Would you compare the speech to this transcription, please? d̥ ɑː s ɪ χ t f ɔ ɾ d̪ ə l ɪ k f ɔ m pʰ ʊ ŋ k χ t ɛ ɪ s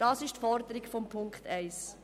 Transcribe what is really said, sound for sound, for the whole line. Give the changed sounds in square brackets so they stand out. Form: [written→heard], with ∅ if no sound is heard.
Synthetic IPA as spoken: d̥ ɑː s ɪ [χ→ʃ] t f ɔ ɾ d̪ ə [l→ɾ] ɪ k f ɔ m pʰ ʊ ŋ k χ t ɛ ɪ s